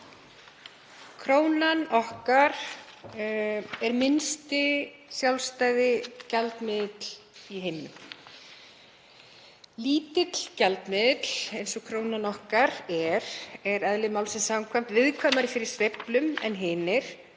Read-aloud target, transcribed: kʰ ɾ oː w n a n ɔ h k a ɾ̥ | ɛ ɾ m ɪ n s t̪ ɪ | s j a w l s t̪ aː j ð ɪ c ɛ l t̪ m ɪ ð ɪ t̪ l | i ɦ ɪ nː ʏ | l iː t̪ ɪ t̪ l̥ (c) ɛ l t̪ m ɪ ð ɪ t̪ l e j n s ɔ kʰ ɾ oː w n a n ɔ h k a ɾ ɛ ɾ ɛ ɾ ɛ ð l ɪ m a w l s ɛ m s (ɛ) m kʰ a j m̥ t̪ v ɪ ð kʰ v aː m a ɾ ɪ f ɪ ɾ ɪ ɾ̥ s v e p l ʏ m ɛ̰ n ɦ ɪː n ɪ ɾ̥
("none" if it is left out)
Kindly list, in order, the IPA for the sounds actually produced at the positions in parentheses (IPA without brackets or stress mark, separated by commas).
c, a